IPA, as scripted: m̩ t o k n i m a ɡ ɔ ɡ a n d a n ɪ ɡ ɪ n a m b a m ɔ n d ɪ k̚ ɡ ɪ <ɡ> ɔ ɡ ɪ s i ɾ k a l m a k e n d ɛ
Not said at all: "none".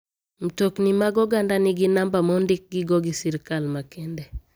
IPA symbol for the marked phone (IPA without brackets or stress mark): ɡ